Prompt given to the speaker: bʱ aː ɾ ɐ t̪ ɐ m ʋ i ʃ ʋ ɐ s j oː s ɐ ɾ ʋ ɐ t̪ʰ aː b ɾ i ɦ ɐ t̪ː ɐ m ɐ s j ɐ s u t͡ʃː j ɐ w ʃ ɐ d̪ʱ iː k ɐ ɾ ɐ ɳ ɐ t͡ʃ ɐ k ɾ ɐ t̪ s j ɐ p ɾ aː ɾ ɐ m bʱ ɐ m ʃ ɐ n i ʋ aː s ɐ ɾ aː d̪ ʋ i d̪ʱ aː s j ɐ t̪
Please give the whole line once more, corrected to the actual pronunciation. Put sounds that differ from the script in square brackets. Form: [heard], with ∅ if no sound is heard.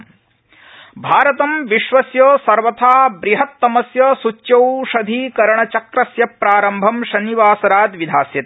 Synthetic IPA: bʱ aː ɾ ɐ t̪ ɐ m ʋ i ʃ ʋ ɐ s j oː s ɐ ɾ ʋ ɐ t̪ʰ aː b ɾ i ɦ ɐ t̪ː ɐ m ɐ s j ɐ s u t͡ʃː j ɐ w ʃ ɐ d̪ʱ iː k ɐ ɾ ɐ ɳ ɐ t͡ʃ ɐ k ɾ ɐ [∅] s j ɐ p ɾ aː ɾ ɐ m bʱ ɐ m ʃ ɐ n i ʋ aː s ɐ ɾ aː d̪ ʋ i d̪ʱ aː s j ɐ t̪